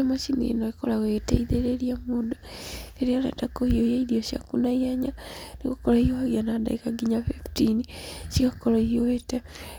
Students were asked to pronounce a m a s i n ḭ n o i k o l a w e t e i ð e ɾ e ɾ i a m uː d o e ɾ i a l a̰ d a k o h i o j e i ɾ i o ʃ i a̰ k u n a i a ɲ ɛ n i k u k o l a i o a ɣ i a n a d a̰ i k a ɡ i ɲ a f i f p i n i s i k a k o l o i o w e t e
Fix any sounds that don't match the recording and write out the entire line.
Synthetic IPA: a m a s i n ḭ n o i k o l a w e t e i ð e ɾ e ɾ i a m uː d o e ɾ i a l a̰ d a k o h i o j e i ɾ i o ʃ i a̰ k u n a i a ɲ a n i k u k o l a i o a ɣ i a n a d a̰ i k a ɡ i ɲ a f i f t i n i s i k a k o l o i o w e t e

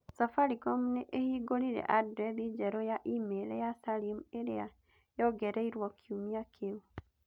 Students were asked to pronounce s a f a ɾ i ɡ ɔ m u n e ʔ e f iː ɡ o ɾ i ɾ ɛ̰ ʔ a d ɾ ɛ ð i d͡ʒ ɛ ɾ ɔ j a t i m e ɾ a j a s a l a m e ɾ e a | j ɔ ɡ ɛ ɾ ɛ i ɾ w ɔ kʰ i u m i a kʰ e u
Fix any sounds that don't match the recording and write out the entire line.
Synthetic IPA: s a f a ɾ i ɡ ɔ m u n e ʔ e h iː ɡ o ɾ i ɾ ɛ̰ ʔ a d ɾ ɛ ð i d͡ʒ ɛ ɾ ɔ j a ʔ i m e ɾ ɛ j a s a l i m e ɾ e a | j ɔ ɡ ɛ ɾ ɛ i ɾ w ɔ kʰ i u m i a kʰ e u

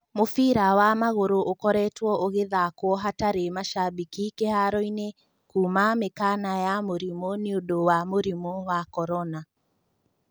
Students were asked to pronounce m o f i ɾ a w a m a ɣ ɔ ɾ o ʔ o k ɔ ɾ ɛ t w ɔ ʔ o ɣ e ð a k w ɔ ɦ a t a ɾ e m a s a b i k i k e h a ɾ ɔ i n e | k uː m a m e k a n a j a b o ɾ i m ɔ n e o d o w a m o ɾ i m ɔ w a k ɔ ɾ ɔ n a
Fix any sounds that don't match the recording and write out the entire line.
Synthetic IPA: m o f i ɾ a w a m a ɣ o ɾ o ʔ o k ɔ ɾ ɛ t w ɔ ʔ o ɣ e ð a k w ɔ ɦ a t a ɾ e m a ʃ a b i k i k e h a ɾ ɔ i n e | k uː m a m e k a n a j a m o ɾ i m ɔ n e o d o w a m o ɾ i m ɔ w a k ɔ ɾ ɔ n a

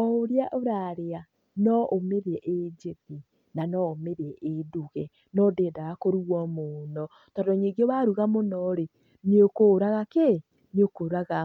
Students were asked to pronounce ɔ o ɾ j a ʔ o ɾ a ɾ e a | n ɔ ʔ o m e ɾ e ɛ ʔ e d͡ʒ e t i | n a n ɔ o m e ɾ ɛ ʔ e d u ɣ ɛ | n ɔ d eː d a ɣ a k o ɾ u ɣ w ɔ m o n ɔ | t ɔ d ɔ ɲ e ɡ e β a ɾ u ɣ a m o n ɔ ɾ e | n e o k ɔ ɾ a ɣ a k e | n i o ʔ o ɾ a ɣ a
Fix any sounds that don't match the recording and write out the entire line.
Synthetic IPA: ɔ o ɾ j a ʔ o ɾ a ɾ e a | n ɔ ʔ o m e ɾ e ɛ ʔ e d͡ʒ e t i | n a n ɔ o m e ɾ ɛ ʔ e d u ɣ ɛ | n ɔ d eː d a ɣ a k o ɾ u ɣ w ɔ m o n ɔ | t ɔ d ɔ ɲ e ɡ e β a ɾ u ɣ a m o n ɔ ɾ e | n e o k o ɾ a ɣ a k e | n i o k o ɾ a ɣ a

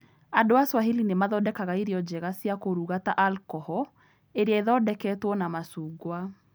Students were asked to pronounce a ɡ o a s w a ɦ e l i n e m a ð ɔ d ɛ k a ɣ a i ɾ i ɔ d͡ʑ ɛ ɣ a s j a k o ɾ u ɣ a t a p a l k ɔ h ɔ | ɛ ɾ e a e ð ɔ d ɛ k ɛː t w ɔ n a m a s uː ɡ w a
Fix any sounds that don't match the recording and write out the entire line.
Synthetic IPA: a d o a s w a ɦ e l i n e m a ð ɔ d ɛ k a ɣ a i ɾ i ɔ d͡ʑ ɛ ɣ a s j a k o ɾ u ɣ a t a ʔ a l k ɔ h ɔ | e ɾ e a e ð ɔ d ɛ k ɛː t w ɔ n a m a s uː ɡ w a

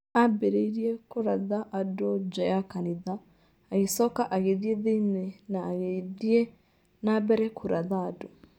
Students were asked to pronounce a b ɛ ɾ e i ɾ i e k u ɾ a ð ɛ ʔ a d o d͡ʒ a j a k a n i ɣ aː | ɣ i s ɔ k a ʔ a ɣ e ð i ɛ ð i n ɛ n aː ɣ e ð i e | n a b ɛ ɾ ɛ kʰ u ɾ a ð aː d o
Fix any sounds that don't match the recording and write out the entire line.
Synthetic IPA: a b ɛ ɾ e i ɾ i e k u ɾ a ð a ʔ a d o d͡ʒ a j a k a n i ð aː | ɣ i s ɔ k a ʔ a ɣ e ð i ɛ ð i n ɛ n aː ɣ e ð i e | n a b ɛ ɾ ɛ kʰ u ɾ a ð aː d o

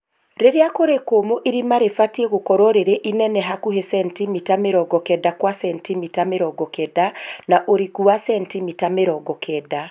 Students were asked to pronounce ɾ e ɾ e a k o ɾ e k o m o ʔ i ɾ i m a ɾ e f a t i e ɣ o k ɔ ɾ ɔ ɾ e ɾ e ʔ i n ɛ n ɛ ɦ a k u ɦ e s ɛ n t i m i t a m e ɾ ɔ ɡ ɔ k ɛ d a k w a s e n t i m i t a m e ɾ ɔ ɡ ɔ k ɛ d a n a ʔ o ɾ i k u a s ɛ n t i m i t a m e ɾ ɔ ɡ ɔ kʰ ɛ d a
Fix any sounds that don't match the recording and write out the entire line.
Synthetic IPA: ɾ e ɾ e a k o ɾ e k o m o ʔ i ɾ i m a ɾ e f a t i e ɣ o k ɔ ɾ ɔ ɾ e ɾ e ʔ i n ɛ n ɛ ɦ a k u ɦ e s ɛ n t i m i t a m e ɾ ɔ ɡ ɔ k ɛ d a k w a s ɛ n t i m i t a m e ɾ ɔ ɡ ɔ k ɛ d a n a ʔ o ɾ i k u a s ɛ n t i m i t a m e ɾ ɔ ɡ ɔ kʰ ɛ d a

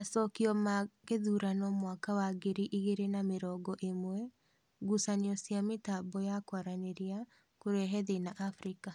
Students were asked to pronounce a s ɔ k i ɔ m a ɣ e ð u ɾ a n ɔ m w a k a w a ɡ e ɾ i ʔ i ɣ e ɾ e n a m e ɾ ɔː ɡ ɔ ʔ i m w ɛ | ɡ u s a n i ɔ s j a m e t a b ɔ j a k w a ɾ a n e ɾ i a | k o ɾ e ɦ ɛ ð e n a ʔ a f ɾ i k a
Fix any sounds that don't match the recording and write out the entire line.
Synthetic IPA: a s ɔ k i ɔ m a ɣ e ð u ɾ a n ɔ m w a k a w a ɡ e ɾ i ʔ i ɣ e ɾ e n a m e ɾ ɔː ɡ ɔ ʔ e m w ɛ | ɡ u s a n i ɔ s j a m e t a b ɔ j a k w a ɾ a n e ɾ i a | k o ɾ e ɦ ɛ ð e n a ʔ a f ɾ i k a

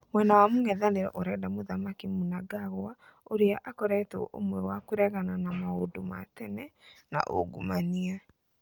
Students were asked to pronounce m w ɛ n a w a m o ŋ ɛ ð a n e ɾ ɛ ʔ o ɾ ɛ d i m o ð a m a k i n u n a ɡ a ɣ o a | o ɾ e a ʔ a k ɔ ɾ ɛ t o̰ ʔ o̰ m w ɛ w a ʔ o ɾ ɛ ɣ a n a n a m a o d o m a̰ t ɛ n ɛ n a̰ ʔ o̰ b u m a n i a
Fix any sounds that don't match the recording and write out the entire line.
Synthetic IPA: m w ɛ n a w a m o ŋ ɛ ð a n e ɾ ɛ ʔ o ɾ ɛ d a m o ð a m a k i m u n a ɡ a ɣ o a | o ɾ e a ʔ a k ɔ ɾ ɛ t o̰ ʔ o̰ m w ɛ w a k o ɾ ɛ ɣ a n a n a m a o d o m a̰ t ɛ n ɛ n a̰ ʔ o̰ ɡ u m a n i a

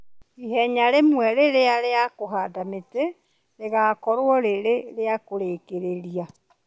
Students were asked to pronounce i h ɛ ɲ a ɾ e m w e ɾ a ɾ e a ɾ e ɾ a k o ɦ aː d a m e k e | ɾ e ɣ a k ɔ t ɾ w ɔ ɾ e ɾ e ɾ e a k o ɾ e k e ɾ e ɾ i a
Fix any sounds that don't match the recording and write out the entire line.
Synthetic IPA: i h ɛ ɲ a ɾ e m w ɛ ɾ e ɾ e a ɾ e a k o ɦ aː d a m e t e | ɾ e ɣ a k ɔ ɾ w ɔ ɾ e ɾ e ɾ e a k o ɾ e k e ɾ e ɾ i a

